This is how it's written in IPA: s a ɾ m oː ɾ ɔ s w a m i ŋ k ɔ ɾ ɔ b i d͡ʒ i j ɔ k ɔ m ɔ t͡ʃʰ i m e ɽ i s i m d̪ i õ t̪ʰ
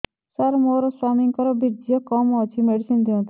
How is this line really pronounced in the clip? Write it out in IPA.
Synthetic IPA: s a ɾ m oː ɾ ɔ s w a m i ŋ k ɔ ɾ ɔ b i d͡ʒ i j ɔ k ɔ m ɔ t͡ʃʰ i m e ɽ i s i n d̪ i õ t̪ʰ